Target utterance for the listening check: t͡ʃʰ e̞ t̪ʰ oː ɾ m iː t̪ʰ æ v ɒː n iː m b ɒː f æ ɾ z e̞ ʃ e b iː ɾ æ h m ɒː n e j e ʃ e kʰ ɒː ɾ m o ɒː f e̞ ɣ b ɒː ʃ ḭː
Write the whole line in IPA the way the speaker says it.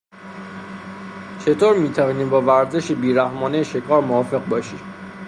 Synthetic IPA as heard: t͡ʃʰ e̞ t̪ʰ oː ɾ m iː t̪ʰ æ v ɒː n iː m b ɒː v æ ɾ z e̞ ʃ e b iː ɾ æ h m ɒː n e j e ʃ e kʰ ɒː ɾ m o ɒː f e̞ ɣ b ɒː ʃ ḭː